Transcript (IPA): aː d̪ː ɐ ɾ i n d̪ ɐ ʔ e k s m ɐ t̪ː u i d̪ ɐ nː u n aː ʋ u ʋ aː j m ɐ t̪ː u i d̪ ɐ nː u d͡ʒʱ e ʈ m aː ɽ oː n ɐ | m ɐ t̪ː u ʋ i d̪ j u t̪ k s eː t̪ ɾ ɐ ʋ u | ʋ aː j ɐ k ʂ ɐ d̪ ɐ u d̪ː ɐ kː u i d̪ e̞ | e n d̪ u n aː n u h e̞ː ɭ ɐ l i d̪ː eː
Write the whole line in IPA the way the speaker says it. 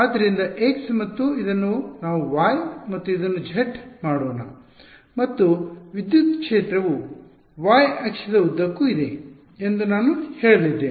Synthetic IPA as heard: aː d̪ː ɐ ɾ i n d̪ ɐ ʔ e k s m ɐ t̪ː u i d̪ ɐ nː u n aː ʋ u ʋ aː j m ɐ t̪ː u i d̪ ɐ nː u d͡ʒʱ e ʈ m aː ɽ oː n ɐ | m ɐ t̪ː u ʋ i d̪ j u t̪ k ʂ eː t̪ ɾ ɐ ʋ u | ʋ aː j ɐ k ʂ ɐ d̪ ɐ u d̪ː ɐ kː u i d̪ e̞ | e n d̪ u n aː n u h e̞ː ɭ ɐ l i d̪ː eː

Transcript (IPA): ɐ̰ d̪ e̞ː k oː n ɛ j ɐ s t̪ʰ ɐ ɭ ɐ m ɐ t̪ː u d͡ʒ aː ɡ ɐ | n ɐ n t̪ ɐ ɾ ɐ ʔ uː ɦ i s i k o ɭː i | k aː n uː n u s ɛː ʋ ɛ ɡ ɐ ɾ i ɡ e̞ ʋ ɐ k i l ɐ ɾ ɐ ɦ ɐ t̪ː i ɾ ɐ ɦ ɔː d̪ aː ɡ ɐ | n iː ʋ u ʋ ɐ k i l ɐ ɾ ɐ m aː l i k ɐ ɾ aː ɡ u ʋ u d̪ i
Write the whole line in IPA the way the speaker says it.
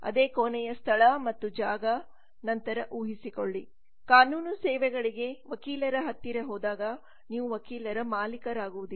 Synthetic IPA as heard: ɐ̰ d̪ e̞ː k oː n ɛ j ɐ s t̪ʰ ɐ ɭ ɐ m ɐ t̪ː u d͡ʒ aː ɡ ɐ | n ɐ n t̪ ɐ ɾ ɐ ʔ uː ɦ i s i k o ɭː i | k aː n uː n u s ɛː ʋ ɛ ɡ ɐ ɭ i ɡ e̞ ʋ ɐ k iː l ɐ ɾ ɐ ɦ ɐ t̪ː i ɾ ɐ ɦ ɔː d̪ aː ɡ ɐ | n iː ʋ u ʋ ɐ k iː l ɐ ɾ ɐ m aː l i k ɐ ɾ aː ɡ u ʋ u d̪ i

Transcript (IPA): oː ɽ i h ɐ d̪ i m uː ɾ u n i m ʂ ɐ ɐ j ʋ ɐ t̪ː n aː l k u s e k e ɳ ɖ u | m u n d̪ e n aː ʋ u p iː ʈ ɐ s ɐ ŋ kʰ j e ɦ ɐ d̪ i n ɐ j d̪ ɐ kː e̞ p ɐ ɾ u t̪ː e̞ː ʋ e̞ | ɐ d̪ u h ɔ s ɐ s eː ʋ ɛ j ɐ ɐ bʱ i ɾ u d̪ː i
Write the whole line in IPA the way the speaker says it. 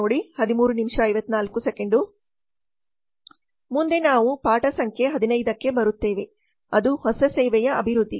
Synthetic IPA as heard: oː ɽ i h ɐ d̪ i m uː ɾ u n i m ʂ ɐ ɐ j ʋ ɐ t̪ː n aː l k u s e k e ɳ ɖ u | m u n d̪ e n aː ʋ u p aː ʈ ɐ s ɐ ŋ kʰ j e ɦ ɐ d̪ i n ɐ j d̪ ɐ kː e̞ b ɐ ɾ u t̪ː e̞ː ʋ e̞ | ɐ d̪ u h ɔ s ɐ s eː ʋ ɛ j ɐ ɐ bʱ i ɾ u d̪ː i

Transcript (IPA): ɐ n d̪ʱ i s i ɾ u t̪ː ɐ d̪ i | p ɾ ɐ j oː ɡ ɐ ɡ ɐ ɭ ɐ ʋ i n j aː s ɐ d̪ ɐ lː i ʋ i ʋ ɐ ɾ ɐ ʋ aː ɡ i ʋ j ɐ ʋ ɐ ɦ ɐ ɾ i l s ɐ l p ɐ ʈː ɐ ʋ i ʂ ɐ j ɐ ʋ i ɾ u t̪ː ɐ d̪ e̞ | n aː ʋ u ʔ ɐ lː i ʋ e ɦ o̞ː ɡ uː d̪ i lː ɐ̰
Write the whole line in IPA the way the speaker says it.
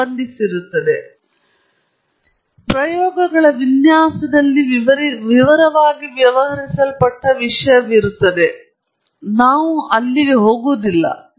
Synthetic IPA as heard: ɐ n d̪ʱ i s i ɾ u t̪ː ɐ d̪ e | p ɾ ɐ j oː ɡ ɐ ɡ ɐ ɭ ɐ ʋ i n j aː s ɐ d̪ ɐ lː i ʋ i ʋ ɐ ɾ ɐ ʋ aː ɡ i ʋ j ɐ ʋ ɐ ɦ ɐ ɾ i s ɐ l p ɐ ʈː ɐ ʋ i ʂ ɐ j ɐ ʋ i ɾ u t̪ː ɐ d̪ e̞ | n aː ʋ u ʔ ɐ lː i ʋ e ɦ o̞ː ɡ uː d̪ i lː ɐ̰

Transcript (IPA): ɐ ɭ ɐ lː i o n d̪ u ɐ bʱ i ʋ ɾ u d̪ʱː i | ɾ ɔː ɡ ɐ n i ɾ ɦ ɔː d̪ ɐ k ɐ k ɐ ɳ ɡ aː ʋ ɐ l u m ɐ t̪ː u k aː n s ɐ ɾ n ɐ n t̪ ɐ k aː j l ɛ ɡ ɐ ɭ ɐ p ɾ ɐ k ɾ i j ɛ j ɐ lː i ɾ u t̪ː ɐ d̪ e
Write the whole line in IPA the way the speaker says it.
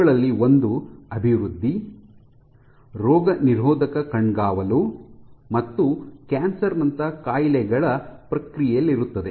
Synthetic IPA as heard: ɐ ɭ ɐ lː i o n d̪ u ɐ bʱ i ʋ ɾ u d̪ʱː i | ɾ ɔː ɡ ɐ n i ɾ ɦ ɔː d̪ ɐ k ɐ k ɐ ɳ ɡ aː ʋ ɐ l u m ɐ t̪ː u k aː n s ɐ ɾ n ɐ n t̪ ɐ k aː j l ɛ ɡ ɐ ɭ ɐ p ɾ ɐ k ɾ i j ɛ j ɐ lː i ɾ u t̪ː ɐ d̪ e

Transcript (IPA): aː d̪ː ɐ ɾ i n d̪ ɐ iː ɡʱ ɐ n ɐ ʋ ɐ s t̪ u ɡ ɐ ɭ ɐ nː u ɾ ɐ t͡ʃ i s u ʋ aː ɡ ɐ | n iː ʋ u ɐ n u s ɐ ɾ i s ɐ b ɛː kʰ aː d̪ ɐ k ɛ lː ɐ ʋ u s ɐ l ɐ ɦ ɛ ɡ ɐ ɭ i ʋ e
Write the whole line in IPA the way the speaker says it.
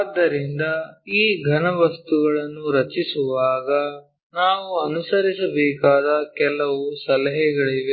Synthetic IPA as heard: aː d̪ː ɐ ɾ i n d̪ ɐ iː ɡʱ ɐ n ɐ ʋ ɐ s t̪ u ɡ ɐ ɭ ɐ nː u ɾ ɐ t͡ʃ i s u ʋ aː ɡ ɐ | n aː ʋ u ɐ n u s ɐ ɾ i s ɐ b ɛː k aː d̪ ɐ k ɛ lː ɐ ʋ u s ɐ l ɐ ɦ ɛ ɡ ɐ ɭ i ʋ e

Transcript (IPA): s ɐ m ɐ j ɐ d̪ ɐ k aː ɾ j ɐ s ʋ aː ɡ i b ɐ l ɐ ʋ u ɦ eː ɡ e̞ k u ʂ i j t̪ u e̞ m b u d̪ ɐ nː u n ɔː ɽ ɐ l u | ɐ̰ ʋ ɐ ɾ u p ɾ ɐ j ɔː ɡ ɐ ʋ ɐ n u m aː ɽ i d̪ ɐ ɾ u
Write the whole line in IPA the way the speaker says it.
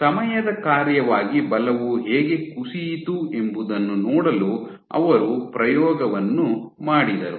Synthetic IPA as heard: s ɐ m ɐ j ɐ d̪ ɐ k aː ɾ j ɐ ʋ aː ɡ i b ɐ l ɐ ʋ u ɦ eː ɡ e̞ k u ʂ i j t̪ u e̞ m b u d̪ ɐ nː u n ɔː ɽ ɐ l u | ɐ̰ ʋ ɐ ɾ u p ɾ ɐ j ɔː ɡ ɐ ʋ ɐ nː u m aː ɽ i d̪ ɐ ɾ u

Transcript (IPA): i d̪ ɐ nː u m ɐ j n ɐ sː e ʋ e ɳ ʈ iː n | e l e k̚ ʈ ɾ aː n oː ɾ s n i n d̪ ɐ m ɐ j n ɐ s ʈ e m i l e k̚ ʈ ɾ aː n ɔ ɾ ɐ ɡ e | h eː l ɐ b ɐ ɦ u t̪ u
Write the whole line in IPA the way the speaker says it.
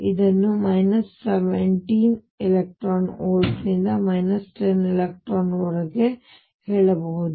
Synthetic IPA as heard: i d̪ ɐ nː u m ɐ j n ɐ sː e ʋ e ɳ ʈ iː n | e l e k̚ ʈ ɾ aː n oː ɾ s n i n d̪ ɐ m ɐ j n ɐ s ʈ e n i l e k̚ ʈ ɾ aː n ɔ ɾ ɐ ɡ e | h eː ɭ ɐ b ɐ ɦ u d̪ u

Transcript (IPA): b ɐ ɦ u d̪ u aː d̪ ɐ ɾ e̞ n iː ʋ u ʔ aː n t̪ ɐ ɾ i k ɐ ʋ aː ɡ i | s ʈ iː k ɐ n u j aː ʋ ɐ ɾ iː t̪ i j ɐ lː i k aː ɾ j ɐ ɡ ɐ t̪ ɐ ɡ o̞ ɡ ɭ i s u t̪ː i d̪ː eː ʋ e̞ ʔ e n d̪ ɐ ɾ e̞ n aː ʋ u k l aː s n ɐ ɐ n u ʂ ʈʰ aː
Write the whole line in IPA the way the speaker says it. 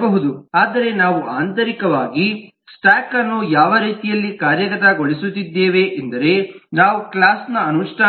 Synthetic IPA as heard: b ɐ ɦ u d̪ u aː d̪ ɐ ɾ e̞ n aː ʋ u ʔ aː n t̪ ɐ ɾ i k ɐ ʋ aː ɡ i | s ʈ aː k ɐ nː u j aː ʋ ɐ ɾ iː t̪ i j ɐ lː i k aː ɾ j ɐ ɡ ɐ t̪ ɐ ɡ o̞ ɭ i s u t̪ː i d̪ː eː ʋ e̞ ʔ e n d̪ ɐ ɾ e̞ n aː ʋ u k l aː s n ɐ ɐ n u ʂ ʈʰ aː

